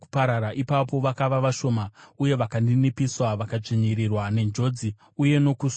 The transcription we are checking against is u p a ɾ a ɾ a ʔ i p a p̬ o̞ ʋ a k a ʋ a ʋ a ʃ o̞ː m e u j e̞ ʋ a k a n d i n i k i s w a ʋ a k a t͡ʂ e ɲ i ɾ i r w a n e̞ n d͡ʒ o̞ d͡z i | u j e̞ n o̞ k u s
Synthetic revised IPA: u p a ɾ a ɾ a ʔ i p a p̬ o̞ ʋ a k a ʋ a ʋ a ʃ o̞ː m a u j e̞ ʋ a k a n d i n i p i s w a ʋ a k a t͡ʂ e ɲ i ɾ i r w a n e̞ n d͡ʒ o̞ d͡z i | u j e̞ n o̞ k u s

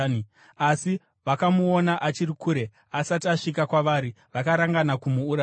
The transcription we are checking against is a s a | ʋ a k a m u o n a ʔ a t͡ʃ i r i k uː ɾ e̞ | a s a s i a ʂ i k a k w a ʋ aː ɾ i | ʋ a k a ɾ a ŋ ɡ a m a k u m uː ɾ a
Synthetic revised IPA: a s i | ʋ a k a m u o n a ʔ a t͡ʃ i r i k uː ɾ e̞ | a s a t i a ʂ i k a k w a ʋ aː ɾ i | ʋ a k a ɾ a ŋ ɡ a n a k u m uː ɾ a

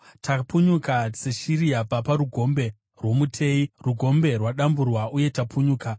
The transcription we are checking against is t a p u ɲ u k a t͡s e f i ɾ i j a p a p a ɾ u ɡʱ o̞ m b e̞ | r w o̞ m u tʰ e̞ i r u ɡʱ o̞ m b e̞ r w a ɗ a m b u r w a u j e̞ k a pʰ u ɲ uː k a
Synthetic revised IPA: t a p u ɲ u k a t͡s e ʃ i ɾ i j a p a p a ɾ u ɡʱ o̞ m b e̞ | r w o̞ m u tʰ e̞ i r u ɡʱ o̞ m b e̞ r w a ɗ a m b u r w a u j e̞ t a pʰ u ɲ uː k a

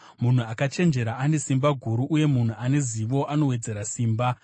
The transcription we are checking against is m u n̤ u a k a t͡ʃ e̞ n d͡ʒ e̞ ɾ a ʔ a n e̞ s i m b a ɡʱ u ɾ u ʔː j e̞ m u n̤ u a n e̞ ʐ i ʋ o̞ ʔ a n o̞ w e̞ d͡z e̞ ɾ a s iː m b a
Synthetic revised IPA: m u n̤ u a k a t͡ʃ e̞ n d͡ʒ e̞ ɾ a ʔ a n e̞ s i m b a ɡʱ u ɾ u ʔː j e̞ m u n̤ u a n e̞ z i ʋ o̞ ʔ a n o̞ w e̞ d͡z e̞ ɾ a s iː m b a

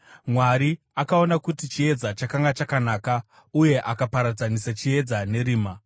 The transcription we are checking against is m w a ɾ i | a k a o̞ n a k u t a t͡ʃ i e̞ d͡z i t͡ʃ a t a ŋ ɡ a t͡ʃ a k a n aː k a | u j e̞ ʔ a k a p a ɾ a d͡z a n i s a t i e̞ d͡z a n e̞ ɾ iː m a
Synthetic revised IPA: m w a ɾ i | a k a o̞ n a k u t i t͡ʃ i e̞ d͡z a t͡ʃ a k a ŋ ɡ a t͡ʃ a k a n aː k a | u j e̞ ʔ a k a p a ɾ a d͡z a n i s a t͡ʃ i e̞ d͡z a n e̞ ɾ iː m a

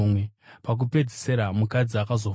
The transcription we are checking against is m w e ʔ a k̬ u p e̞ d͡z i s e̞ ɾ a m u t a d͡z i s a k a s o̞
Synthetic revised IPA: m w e p a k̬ u p e̞ d͡z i s e̞ ɾ a m u k a d͡z i a k a z o̞

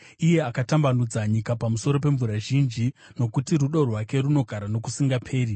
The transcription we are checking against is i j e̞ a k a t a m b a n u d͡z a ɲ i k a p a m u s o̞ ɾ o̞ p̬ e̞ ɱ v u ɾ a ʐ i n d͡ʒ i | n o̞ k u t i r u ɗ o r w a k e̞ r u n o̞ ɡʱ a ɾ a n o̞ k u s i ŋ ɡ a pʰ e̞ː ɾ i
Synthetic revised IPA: i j e̞ a k a t a m b a n u d͡z a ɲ i k a p a m u s o̞ ɾ o̞ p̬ e̞ ɱ v u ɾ a ʒ i n d͡ʒ i | n o̞ k u t i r u ɗ o r w a k e̞ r u n o̞ ɡʱ a ɾ a n o̞ k u s i ŋ ɡ a pʰ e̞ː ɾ i

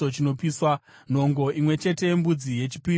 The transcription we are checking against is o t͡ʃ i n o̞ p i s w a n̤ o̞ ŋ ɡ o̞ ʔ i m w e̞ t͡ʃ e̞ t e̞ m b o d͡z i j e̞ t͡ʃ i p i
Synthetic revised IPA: o t͡ʃ i n o̞ p i s w a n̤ o̞ ŋ ɡ o̞ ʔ i m w e̞ t͡ʃ e̞ t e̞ m b u d͡z i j e̞ t͡ʃ i p i

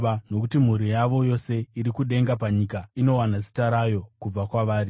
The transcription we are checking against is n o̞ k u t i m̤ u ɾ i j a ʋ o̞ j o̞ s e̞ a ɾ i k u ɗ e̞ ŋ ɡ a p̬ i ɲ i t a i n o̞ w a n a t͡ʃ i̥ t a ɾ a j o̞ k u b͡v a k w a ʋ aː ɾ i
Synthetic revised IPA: n o̞ k u t i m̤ u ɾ i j a ʋ o̞ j o̞ s e̞ i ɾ i k u ɗ e̞ ŋ ɡ a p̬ a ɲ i k a i n o̞ w a n a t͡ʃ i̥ t a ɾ a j o̞ k u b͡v a k w a ʋ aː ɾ i

